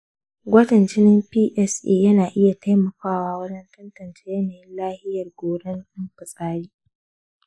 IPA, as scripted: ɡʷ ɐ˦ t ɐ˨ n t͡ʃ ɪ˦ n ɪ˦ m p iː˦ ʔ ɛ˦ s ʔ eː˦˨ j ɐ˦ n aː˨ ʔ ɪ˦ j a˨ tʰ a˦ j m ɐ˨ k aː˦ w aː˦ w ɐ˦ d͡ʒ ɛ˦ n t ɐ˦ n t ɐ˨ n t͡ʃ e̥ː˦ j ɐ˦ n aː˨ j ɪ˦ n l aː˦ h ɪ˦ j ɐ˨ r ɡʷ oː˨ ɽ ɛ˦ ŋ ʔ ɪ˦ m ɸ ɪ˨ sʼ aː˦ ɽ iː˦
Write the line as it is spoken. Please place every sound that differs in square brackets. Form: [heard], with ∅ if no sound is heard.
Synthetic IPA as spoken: ɡʷ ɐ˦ t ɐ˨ n t͡ʃ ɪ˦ n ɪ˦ m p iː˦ ʔ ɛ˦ s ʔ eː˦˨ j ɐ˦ n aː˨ ʔ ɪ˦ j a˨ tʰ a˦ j m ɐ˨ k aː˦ w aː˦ w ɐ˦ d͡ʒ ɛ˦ n t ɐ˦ n t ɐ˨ n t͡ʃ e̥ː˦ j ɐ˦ n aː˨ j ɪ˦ n l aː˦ h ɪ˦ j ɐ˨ r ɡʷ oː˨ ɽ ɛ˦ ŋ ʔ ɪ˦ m ɸ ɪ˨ sʼ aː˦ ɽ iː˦

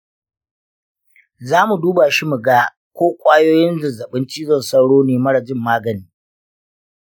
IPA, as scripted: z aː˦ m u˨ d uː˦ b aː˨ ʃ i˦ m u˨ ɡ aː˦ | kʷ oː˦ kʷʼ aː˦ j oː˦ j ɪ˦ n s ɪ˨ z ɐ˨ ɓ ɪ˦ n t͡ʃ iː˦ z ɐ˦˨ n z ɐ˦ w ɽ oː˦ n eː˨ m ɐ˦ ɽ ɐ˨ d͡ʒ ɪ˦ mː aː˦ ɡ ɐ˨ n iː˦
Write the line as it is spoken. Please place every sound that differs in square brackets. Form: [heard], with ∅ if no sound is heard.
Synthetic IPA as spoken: z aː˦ m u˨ d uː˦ b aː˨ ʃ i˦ m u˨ ɡ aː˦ | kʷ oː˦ kʷʼ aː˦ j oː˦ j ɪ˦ n [z] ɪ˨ z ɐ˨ ɓ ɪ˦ n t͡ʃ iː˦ z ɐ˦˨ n [s] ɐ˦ w ɽ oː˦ n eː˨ m ɐ˦ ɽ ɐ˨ d͡ʒ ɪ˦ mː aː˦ ɡ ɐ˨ n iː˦

